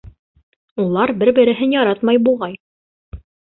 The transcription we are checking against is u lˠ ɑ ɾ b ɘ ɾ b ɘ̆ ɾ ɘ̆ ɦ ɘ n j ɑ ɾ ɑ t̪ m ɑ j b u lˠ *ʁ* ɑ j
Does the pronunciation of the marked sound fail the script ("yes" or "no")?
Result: no